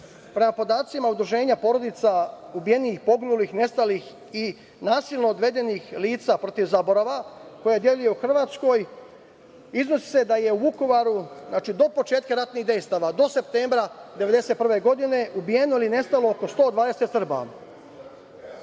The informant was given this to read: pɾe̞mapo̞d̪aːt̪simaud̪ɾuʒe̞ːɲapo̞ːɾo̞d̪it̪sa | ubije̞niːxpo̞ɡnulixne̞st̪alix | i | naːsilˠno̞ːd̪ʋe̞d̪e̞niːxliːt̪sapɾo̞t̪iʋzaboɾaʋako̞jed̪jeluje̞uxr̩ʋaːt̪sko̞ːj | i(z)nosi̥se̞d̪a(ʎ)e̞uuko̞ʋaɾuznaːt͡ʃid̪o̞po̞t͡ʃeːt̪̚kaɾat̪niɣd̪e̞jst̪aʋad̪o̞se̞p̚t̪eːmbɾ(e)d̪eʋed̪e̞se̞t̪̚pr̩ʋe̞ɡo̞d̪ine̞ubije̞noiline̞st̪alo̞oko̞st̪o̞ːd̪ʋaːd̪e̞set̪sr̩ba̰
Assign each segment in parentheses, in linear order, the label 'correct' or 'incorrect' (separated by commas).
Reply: correct, incorrect, incorrect